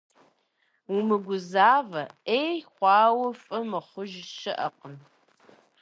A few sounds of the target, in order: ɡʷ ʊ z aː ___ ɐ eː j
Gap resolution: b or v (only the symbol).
v